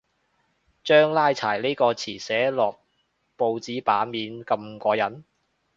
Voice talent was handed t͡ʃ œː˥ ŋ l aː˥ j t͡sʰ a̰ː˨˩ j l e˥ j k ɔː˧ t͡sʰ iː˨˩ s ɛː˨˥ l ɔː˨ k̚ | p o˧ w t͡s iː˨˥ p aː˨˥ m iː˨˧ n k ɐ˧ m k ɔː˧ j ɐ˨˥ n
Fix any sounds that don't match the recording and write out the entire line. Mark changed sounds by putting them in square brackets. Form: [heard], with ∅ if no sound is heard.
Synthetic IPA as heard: t͡ʃ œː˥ ŋ l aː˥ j t͡sʰ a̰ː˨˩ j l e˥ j k ɔː˧ t͡sʰ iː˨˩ s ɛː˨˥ l ɔː˨ k̚ | p o˧ w t͡s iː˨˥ p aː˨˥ m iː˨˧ n k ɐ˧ m k ɔː˧ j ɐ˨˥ n